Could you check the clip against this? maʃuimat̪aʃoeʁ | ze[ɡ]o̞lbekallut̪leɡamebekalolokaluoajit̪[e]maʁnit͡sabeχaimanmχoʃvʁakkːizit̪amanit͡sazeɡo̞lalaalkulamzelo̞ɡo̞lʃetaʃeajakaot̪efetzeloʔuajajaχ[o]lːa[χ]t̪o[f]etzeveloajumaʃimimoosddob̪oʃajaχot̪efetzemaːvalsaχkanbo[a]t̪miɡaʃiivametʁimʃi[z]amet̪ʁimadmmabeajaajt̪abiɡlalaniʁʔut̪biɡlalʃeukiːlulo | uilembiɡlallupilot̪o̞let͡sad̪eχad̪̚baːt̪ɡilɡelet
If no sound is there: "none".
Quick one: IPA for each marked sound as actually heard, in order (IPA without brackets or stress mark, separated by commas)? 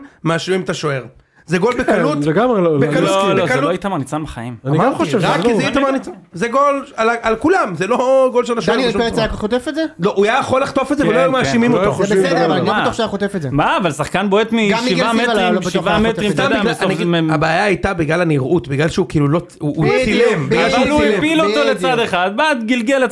ɡ, a, o, χ, f, e, v